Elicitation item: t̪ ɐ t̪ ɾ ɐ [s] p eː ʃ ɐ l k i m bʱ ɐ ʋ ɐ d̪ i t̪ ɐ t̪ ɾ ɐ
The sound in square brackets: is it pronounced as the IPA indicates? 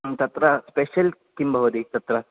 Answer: yes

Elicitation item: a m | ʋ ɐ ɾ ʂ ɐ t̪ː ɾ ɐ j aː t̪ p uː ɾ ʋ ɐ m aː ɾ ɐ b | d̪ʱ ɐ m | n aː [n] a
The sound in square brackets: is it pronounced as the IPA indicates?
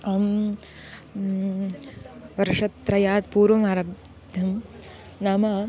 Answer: no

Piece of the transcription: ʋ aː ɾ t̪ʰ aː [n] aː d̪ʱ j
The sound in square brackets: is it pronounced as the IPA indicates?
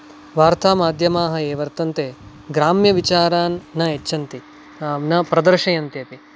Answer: no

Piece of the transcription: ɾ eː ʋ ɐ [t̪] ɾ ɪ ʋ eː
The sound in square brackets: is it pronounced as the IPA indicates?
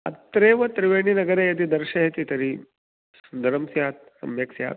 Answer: yes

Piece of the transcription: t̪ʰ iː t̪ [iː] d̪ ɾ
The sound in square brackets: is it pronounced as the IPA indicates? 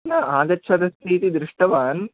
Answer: no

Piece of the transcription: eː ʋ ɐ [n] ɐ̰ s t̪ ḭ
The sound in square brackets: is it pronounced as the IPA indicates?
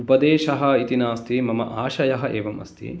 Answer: no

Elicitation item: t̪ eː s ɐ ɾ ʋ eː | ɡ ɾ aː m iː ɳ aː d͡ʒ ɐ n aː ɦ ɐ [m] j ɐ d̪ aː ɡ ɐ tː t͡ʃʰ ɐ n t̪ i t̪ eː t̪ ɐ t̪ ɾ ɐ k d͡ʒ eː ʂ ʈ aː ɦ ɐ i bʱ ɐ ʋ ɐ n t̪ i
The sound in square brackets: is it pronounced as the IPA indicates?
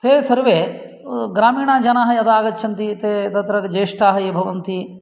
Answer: no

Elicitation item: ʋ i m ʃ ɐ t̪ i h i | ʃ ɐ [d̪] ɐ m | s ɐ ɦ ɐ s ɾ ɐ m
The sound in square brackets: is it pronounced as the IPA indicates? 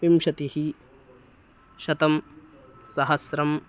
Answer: no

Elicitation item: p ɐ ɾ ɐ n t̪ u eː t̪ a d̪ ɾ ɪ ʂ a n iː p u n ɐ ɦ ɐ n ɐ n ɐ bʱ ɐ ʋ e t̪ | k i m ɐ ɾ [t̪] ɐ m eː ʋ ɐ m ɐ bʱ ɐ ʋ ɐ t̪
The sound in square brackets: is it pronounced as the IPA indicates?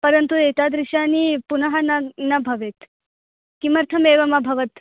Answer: no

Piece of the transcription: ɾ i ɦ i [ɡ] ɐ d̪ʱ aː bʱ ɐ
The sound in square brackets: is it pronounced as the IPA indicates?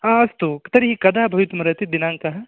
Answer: no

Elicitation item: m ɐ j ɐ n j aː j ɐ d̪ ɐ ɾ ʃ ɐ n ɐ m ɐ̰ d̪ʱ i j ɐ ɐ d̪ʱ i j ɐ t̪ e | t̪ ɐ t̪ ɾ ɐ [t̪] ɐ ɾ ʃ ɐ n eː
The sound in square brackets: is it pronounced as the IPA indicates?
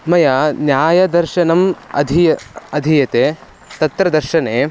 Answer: no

